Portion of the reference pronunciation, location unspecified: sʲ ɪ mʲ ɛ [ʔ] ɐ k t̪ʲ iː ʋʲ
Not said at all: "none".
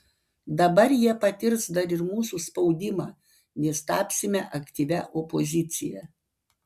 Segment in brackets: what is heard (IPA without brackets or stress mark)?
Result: ʔ